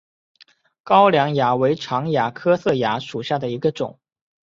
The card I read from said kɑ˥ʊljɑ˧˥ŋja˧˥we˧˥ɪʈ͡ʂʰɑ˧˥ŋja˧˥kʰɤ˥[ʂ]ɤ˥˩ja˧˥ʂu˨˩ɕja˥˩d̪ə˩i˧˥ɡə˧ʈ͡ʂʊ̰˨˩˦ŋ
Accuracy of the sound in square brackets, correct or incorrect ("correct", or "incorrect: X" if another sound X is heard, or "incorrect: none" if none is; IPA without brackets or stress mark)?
incorrect: s